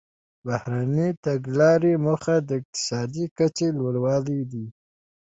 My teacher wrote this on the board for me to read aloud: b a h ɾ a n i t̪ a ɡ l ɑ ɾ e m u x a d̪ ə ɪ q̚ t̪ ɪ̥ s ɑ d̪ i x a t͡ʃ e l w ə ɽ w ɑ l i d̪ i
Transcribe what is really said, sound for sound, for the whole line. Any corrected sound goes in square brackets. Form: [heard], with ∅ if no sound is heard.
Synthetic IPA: b a h ɾ a n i t̪ a ɡ l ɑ ɾ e m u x a d̪ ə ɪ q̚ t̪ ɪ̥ s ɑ d̪ i [k] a t͡ʃ e l w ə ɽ w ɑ l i d̪ i